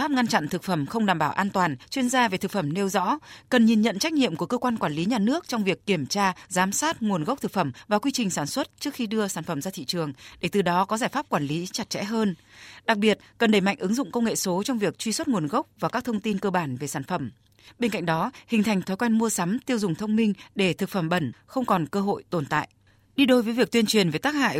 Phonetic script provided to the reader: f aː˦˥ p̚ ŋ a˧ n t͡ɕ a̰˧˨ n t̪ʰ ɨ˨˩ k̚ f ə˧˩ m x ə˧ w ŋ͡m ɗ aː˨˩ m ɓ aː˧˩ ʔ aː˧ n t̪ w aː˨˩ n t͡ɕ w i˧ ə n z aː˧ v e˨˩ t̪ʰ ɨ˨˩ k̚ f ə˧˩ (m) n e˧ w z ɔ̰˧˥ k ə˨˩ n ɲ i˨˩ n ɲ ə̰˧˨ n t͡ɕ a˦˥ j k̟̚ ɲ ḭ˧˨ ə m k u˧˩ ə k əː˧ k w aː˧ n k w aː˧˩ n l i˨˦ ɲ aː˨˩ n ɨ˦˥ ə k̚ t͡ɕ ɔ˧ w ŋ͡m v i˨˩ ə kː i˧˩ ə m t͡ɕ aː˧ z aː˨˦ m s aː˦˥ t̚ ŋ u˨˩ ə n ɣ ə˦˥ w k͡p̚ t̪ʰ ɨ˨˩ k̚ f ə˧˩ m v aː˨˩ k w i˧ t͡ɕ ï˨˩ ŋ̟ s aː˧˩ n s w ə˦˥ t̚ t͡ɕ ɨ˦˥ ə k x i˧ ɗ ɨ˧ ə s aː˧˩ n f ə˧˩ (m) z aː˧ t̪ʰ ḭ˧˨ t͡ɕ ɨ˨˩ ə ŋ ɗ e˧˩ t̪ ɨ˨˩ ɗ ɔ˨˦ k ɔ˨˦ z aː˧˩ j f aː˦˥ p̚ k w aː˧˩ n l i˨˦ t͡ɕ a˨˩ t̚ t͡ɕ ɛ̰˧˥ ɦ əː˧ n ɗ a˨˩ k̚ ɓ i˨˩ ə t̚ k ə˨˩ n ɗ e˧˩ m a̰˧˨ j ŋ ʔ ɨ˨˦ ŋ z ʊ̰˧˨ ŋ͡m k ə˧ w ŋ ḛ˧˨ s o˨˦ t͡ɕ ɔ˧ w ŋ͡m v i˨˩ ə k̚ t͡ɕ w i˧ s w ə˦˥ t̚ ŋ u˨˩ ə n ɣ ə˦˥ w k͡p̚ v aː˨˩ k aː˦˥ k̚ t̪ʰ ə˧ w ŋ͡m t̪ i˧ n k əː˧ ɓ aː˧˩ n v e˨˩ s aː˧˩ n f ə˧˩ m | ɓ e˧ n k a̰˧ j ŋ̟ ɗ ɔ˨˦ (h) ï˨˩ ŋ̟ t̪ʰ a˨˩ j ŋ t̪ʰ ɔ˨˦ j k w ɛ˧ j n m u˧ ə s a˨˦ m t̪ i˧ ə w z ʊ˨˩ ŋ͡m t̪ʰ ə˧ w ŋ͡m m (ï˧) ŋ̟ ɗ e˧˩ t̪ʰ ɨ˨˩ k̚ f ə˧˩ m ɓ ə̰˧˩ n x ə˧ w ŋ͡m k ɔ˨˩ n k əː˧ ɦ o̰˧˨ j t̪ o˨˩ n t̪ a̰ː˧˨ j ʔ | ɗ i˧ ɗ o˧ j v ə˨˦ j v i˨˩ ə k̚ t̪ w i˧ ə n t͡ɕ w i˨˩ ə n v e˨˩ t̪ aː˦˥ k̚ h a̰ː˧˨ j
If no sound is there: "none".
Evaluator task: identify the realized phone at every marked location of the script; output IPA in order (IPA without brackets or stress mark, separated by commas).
m, m, h, ï˧